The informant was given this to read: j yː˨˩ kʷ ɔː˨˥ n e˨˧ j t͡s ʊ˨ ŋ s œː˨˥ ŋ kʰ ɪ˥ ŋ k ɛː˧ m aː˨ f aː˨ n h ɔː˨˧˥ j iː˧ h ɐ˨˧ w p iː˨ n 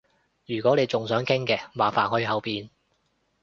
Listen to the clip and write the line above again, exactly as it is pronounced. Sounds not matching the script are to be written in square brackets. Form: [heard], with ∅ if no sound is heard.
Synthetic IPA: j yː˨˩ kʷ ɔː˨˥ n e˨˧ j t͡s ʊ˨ ŋ s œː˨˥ ŋ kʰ ɪ˥ ŋ k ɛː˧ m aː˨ f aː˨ n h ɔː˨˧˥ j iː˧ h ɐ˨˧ w p iː˨ n